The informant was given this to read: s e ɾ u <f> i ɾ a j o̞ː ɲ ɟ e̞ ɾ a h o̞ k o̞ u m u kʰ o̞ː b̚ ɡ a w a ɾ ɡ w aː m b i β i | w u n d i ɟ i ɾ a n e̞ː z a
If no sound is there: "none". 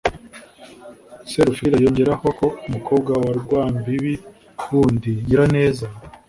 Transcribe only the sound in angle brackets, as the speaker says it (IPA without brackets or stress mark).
f